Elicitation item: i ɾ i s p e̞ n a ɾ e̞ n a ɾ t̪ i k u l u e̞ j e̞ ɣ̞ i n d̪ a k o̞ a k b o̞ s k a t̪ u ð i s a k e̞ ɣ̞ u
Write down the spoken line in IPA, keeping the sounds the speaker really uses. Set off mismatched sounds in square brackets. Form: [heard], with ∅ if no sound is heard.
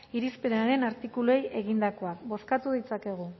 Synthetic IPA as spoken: i ɾ i s p e̞ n a ɾ e̞ n a ɾ t̪ i k u l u e̞ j e̞ ɣ̞ i n d̪ a k o̞ a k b o̞ s k a t̪ u ð i [t͡s] a k e̞ ɣ̞ u

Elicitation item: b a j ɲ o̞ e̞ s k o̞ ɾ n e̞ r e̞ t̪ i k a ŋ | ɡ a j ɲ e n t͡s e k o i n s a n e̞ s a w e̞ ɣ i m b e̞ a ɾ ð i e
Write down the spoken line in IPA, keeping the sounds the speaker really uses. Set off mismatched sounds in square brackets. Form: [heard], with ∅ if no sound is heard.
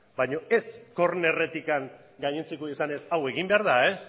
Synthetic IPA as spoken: b a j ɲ o̞ e̞ s k o̞ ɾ n e̞ r e̞ t̪ i k a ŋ | ɡ a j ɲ e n t͡s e k o i [∅] s a n e̞ s a w e̞ ɣ i m b e̞ a ɾ ð [a] e

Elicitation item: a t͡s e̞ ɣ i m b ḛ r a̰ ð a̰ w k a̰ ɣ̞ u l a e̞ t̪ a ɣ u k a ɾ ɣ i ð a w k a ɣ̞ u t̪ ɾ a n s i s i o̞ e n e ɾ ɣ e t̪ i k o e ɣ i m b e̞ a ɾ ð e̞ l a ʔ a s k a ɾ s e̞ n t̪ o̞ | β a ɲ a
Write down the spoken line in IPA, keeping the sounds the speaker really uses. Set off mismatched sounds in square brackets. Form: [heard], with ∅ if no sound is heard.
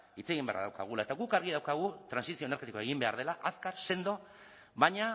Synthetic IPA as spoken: [i] t͡s e̞ ɣ i m b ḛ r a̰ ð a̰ w k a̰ ɣ̞ u l a e̞ t̪ a ɣ u k a ɾ ɣ i ð a w k a ɣ̞ u t̪ ɾ a n s i s i o̞ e n e ɾ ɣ e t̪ i k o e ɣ i m b e̞ a ɾ ð e̞ l a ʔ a s k a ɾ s e̞ n [d̪] o̞ | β a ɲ a

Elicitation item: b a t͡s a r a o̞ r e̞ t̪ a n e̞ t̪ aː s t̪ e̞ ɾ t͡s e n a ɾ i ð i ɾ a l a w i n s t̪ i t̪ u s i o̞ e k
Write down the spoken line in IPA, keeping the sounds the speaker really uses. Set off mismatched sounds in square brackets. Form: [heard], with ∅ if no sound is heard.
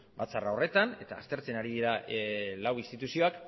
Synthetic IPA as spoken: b a t͡s a r a o̞ r e̞ t̪ a n e̞ t̪ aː s t̪ e̞ ɾ t͡s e n a ɾ i ð i ɾ a l a w i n s t̪ i t̪ u s i o̞ [a] k

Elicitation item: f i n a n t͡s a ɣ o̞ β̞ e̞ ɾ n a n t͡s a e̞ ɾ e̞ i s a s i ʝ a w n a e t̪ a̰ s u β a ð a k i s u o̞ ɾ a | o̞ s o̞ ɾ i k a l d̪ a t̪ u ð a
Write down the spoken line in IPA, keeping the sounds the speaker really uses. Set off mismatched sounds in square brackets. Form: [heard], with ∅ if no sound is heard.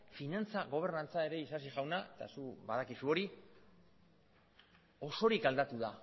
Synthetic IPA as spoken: f i n a n t͡s a ɣ o̞ β̞ e̞ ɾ n a n t͡s a e̞ ɾ e̞ i s a s i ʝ a w n a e t̪ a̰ s u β a ð a k i s u o̞ ɾ [i] | o̞ s o̞ ɾ i k a l d̪ a t̪ u ð a

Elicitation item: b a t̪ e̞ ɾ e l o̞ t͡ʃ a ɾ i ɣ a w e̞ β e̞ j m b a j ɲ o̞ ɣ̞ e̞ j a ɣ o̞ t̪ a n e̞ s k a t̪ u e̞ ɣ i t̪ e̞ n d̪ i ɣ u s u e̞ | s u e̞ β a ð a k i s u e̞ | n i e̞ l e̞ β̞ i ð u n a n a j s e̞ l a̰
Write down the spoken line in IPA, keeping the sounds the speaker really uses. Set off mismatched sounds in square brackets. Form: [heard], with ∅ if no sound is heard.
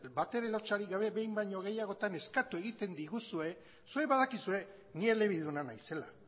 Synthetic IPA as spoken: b a t̪ e̞ ɾ e l o̞ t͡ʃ a ɾ i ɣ a [β] e̞ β e̞ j m b a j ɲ o̞ ɣ̞ e̞ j a ɣ o̞ t̪ a n e̞ s k a t̪ u e̞ ɣ i t̪ e̞ n d̪ i ɣ u s u e̞ | s u e̞ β a ð a k i s u e̞ | n i e̞ l e̞ β̞ i ð u n a n a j s e̞ l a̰

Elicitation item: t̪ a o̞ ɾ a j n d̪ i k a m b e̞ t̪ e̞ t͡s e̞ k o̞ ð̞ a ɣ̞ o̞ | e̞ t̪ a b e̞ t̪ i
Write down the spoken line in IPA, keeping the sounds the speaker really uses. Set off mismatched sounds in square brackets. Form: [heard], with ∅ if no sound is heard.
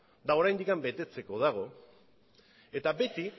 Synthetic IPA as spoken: [d̪] a o̞ ɾ a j n d̪ i k a m b e̞ t̪ e̞ t͡s e̞ k o̞ ð̞ a ɣ̞ o̞ | e̞ t̪ a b e̞ t̪ i

